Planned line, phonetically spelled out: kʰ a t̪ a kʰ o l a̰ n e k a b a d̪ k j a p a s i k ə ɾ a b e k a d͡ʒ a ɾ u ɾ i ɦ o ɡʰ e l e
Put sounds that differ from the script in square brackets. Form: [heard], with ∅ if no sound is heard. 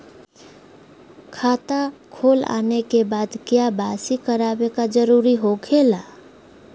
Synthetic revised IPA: kʰ a t̪ a kʰ o l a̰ n e k [e] b a d̪ k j a [b] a s i k ə ɾ a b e k a d͡ʒ [ə] ɾ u ɾ i ɦ o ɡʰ e l [a]